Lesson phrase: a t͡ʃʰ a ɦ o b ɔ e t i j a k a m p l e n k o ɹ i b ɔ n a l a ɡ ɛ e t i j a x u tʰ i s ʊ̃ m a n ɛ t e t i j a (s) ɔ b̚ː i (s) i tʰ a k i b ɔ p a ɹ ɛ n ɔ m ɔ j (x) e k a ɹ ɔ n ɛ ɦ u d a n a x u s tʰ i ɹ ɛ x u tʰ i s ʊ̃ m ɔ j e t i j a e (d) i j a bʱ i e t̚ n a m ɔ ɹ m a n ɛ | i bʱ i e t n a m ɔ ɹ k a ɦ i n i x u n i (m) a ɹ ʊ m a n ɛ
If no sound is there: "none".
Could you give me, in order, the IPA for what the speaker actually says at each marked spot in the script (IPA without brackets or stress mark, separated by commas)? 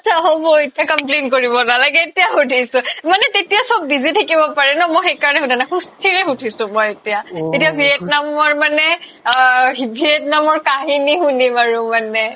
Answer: s, z, x, t, m